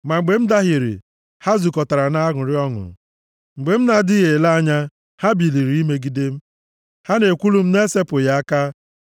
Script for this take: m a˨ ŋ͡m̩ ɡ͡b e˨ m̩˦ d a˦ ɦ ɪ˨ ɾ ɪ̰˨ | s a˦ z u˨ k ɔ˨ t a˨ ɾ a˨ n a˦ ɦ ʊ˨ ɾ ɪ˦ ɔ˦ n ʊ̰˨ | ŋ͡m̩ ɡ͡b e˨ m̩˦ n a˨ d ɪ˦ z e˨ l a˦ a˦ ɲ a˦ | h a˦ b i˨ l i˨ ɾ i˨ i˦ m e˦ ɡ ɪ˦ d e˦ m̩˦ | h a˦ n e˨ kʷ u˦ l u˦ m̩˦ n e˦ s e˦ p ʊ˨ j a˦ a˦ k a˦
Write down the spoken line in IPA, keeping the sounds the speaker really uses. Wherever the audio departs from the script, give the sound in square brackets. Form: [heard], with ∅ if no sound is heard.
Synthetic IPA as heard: m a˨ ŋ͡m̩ ɡ͡b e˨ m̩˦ d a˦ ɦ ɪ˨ ɾ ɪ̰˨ | [h] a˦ z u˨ k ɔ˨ t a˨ ɾ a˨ n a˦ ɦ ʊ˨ ɾ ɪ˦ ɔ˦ [ŋ] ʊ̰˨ | ŋ͡m̩ ɡ͡b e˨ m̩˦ n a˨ d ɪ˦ [ɣ] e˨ l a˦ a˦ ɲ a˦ | h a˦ b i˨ l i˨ ɾ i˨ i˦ m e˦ ɡ [i˦] d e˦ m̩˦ | h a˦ n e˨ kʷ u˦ l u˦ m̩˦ n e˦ s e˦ p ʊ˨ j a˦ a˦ k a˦